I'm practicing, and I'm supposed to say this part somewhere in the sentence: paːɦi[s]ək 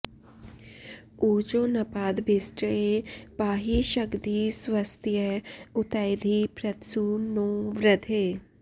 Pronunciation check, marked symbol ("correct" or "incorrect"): incorrect